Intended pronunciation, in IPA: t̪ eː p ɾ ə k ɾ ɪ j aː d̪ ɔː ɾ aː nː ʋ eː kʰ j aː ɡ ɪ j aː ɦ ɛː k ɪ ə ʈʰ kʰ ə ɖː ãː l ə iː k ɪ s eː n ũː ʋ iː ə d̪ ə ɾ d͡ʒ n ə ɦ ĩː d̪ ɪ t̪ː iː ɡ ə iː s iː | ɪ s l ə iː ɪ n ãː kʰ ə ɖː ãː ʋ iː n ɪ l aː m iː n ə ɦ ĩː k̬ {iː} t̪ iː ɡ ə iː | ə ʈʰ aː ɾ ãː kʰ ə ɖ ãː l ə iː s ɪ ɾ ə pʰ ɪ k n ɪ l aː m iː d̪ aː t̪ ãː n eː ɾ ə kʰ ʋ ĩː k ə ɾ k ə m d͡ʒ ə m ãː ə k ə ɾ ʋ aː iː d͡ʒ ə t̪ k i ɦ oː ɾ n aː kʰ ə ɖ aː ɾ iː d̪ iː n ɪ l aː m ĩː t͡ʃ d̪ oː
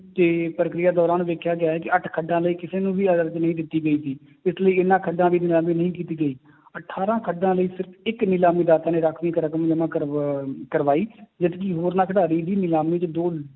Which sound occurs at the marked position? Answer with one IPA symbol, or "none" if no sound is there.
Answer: iː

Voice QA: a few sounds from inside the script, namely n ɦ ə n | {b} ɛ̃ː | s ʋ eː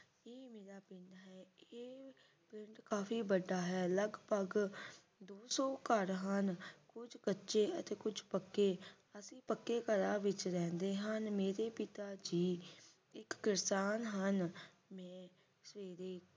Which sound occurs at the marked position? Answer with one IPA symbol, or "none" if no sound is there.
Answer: m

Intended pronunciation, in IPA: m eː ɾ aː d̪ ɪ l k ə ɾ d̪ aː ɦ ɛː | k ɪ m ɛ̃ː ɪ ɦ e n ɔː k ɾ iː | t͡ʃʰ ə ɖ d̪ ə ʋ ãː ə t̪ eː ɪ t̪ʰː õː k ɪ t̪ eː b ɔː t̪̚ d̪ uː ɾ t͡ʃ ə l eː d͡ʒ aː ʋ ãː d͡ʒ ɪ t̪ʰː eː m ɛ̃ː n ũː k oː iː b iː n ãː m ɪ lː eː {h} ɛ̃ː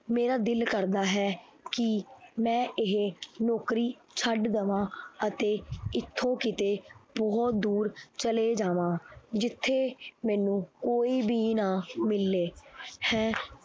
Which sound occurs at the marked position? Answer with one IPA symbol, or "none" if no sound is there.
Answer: h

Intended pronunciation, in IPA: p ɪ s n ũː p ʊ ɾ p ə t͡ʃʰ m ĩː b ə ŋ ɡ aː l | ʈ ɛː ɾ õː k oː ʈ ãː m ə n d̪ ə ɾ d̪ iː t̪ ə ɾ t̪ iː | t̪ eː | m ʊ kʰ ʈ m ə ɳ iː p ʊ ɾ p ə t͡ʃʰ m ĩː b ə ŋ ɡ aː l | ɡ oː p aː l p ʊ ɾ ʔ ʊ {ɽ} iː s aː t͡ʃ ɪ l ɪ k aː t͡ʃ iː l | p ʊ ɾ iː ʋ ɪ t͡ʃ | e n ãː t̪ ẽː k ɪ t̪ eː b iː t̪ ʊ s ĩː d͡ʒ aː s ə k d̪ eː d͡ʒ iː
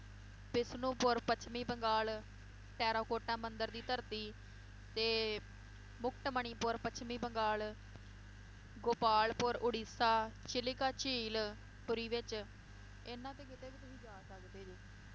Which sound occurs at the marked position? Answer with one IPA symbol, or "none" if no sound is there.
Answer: ɽ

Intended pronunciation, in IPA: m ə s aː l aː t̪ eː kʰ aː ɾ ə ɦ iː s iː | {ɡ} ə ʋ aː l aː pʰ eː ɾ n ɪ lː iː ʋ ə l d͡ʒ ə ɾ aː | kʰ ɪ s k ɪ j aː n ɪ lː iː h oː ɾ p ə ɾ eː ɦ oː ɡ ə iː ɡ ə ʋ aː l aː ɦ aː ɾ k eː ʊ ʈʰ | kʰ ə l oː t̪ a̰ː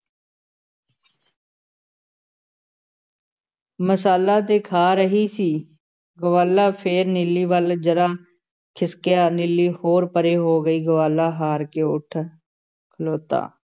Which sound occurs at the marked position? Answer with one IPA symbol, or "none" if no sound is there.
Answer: ɡ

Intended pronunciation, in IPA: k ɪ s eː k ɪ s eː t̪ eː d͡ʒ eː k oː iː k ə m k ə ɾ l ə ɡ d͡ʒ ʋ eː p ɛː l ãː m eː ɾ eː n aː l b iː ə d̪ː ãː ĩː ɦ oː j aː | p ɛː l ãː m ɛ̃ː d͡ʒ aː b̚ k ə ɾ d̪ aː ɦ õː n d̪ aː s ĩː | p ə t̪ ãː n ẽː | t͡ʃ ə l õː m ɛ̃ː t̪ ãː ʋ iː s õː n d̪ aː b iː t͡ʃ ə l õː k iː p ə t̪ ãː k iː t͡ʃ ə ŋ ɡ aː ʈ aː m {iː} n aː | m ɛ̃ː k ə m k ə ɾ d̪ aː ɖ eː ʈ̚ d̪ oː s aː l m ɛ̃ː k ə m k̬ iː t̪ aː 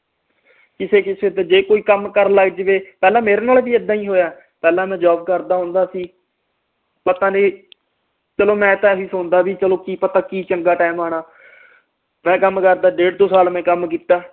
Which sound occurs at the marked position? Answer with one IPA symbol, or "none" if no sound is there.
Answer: aː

